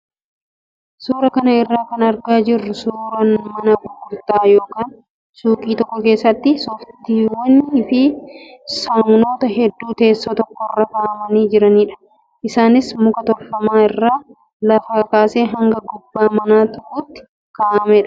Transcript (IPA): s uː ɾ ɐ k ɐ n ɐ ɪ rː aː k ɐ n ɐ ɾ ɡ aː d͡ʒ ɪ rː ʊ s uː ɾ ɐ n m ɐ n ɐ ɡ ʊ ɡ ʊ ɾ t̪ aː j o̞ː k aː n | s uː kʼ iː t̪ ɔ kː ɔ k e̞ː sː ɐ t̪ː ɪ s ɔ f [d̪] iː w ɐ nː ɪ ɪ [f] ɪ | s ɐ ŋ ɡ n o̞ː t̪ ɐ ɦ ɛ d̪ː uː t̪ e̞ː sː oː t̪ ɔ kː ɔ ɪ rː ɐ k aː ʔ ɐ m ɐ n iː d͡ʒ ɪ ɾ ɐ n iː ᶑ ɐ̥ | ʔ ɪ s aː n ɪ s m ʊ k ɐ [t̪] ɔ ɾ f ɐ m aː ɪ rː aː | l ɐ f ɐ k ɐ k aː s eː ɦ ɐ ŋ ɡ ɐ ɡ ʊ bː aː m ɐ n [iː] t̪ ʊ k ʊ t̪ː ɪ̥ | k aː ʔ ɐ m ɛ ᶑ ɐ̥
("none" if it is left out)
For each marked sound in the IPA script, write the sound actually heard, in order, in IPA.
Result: t̪, f, t̪, aː

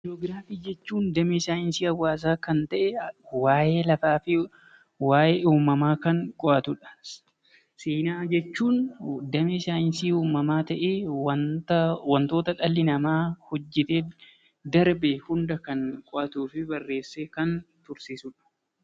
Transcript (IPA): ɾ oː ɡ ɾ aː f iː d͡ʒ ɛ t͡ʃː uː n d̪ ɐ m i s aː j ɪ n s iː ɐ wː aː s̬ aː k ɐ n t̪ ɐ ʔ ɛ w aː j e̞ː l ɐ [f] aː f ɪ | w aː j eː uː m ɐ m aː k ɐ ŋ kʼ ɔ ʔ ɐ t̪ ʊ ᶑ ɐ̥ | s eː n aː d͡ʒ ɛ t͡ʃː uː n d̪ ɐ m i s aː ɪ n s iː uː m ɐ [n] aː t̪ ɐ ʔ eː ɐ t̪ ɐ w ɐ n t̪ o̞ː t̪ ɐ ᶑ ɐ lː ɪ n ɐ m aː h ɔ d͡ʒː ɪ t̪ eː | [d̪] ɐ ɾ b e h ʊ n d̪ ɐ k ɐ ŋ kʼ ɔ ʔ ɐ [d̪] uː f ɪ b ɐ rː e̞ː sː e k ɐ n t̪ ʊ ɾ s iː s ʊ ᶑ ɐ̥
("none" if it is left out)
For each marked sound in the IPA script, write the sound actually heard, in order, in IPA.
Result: f, m, d̪, t̪

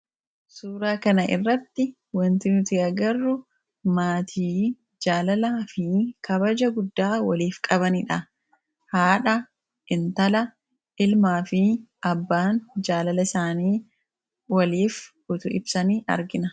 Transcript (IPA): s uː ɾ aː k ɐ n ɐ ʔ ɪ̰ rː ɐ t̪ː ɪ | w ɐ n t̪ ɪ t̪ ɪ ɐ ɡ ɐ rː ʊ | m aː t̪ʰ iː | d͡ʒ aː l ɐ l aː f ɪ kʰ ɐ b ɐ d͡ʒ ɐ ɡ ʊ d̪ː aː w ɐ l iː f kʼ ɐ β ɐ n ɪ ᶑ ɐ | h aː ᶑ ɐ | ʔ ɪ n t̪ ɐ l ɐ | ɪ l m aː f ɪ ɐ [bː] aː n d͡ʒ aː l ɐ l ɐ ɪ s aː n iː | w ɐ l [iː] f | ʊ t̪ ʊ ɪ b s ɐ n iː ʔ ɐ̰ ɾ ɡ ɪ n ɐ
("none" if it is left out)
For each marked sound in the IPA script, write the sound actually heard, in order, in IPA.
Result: bː, iː

